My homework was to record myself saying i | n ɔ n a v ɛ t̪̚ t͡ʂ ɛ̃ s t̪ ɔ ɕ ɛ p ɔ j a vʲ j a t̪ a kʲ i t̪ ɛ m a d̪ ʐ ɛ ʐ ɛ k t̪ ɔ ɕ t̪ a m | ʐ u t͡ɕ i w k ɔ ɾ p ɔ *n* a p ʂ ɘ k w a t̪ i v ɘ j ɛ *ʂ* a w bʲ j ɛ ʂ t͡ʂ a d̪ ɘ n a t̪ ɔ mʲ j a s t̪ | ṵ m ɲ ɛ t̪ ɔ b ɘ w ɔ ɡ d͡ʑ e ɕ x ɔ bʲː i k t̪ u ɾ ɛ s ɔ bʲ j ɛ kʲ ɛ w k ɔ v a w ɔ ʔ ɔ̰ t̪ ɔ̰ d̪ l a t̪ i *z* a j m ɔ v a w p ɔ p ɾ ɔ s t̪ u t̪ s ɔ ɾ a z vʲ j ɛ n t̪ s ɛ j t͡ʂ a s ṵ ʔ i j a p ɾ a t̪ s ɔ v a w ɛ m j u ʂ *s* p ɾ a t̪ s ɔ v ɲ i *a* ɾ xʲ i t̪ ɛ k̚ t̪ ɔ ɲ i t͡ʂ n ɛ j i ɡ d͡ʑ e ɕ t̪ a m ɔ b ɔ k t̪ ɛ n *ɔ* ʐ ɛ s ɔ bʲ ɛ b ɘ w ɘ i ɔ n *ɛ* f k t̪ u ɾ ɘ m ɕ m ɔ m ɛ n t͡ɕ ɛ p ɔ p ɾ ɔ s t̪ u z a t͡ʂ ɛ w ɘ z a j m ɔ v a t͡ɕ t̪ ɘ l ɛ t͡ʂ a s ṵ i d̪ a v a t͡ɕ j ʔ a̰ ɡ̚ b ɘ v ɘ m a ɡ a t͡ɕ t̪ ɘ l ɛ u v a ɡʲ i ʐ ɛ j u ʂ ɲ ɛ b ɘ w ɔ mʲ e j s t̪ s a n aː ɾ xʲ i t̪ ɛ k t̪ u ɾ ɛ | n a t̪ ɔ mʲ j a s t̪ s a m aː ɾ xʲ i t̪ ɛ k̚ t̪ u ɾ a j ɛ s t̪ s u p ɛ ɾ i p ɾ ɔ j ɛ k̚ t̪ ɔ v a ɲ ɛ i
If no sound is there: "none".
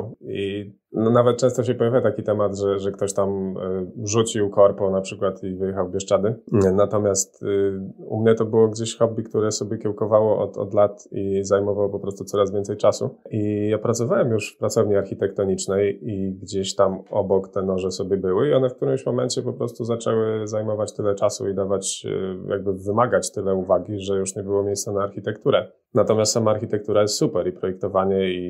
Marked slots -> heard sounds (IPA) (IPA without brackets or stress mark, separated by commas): n, x, z, f, a, ɔ, ɛ